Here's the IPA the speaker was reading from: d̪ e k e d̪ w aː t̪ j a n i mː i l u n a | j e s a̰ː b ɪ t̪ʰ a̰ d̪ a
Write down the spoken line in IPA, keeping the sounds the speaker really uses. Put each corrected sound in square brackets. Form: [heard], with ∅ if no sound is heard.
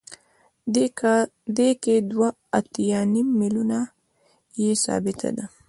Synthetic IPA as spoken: d̪ e k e d̪ w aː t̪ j a n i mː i l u n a | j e s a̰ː b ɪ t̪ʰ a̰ d̪ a